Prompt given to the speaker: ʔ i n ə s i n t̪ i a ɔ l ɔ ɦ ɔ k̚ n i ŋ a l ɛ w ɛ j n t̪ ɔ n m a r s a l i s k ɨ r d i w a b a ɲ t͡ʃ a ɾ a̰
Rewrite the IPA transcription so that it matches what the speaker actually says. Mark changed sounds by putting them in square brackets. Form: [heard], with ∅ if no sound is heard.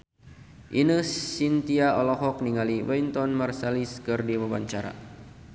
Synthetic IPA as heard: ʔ i n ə s i n t̪ i a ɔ l ɔ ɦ ɔ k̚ n i ŋ a l [i] w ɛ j n t̪ ɔ n m a r s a l i s k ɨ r d i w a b a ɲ t͡ʃ a ɾ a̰